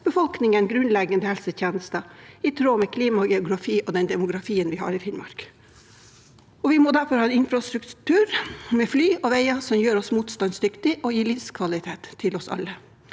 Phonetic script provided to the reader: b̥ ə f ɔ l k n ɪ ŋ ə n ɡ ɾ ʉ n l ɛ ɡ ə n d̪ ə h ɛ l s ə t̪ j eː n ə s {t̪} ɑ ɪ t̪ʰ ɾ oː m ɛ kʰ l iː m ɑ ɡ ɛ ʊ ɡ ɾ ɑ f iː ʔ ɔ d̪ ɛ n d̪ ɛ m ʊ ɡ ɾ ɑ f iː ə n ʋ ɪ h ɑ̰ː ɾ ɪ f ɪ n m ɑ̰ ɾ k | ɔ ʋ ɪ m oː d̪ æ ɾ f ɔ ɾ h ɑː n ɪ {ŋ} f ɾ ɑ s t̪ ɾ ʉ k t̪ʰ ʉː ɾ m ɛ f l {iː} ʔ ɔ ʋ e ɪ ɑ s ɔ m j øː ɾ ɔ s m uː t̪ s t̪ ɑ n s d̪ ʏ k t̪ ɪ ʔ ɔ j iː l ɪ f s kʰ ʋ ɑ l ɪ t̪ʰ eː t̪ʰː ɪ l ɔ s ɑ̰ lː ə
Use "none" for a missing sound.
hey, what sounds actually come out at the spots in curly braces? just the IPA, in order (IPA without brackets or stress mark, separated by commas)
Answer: t̪, n, yː